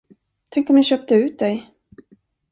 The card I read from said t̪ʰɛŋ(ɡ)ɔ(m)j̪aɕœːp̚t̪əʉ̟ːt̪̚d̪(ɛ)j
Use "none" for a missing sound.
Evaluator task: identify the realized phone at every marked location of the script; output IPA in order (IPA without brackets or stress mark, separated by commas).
k, m, ɛ